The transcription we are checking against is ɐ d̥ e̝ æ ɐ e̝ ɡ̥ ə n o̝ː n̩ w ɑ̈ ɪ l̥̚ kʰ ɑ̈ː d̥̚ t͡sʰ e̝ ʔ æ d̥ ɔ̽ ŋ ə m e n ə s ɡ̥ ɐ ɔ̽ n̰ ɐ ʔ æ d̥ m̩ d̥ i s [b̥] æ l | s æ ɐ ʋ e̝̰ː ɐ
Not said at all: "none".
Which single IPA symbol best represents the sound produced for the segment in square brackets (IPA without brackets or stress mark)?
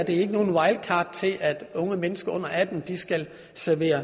ɡ̥